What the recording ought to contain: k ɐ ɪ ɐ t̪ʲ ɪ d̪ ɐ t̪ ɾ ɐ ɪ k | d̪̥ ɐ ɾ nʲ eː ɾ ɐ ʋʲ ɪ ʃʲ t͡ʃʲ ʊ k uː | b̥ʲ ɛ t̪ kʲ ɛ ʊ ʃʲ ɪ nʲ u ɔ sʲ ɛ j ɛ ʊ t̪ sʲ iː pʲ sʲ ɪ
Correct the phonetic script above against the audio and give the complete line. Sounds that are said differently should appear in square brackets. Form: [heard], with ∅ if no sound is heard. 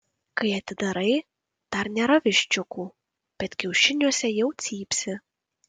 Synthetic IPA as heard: k ɐ ɪ ɐ t̪ʲ ɪ d̪ ɐ [∅] ɾ ɐ ɪ [∅] | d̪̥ ɐ ɾ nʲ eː ɾ ɐ ʋʲ ɪ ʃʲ t͡ʃʲ ʊ k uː | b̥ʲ ɛ t̪ kʲ ɛ ʊ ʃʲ ɪ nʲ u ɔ sʲ ɛ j ɛ ʊ t̪ sʲ iː pʲ sʲ ɪ